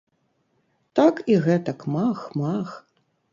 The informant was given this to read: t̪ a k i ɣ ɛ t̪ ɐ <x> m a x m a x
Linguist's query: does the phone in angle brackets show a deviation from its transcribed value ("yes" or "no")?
yes